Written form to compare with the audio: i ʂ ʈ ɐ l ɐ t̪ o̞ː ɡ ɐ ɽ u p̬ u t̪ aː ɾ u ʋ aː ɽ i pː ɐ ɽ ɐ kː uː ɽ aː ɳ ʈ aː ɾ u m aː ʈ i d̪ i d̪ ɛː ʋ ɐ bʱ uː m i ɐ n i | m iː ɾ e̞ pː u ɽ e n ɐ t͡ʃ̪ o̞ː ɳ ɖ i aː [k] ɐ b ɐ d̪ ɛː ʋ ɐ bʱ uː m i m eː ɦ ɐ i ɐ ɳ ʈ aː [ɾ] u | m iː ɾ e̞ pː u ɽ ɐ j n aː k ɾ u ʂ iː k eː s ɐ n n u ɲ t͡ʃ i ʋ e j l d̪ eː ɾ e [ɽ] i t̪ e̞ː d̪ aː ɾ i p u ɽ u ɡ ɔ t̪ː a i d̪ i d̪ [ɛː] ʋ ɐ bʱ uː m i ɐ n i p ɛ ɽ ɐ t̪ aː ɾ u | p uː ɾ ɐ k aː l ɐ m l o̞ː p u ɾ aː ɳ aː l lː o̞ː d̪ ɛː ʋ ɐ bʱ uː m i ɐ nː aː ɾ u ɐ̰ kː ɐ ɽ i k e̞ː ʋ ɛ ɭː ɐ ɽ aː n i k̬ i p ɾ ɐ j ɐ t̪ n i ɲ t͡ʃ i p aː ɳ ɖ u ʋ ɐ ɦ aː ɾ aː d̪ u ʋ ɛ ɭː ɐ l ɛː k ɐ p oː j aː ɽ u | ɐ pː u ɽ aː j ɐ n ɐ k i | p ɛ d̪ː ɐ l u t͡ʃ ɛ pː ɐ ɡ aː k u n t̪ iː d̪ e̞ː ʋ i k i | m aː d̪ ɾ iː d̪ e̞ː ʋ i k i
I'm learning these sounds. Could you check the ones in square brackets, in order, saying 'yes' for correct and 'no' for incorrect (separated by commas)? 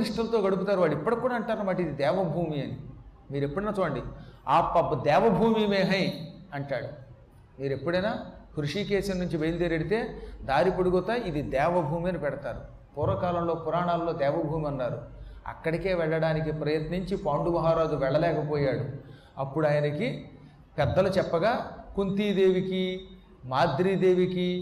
no, no, yes, yes